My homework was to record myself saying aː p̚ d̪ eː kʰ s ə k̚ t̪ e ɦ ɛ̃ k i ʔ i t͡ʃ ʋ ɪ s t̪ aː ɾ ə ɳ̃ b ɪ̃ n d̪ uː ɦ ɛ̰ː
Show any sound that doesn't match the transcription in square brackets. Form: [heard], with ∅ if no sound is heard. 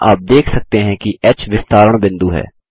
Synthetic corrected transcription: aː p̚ d̪ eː kʰ s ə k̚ t̪ e ɦ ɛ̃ k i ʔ [ɛ] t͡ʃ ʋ ɪ s t̪ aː ɾ ə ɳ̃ b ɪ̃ n d̪ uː ɦ ɛ̰ː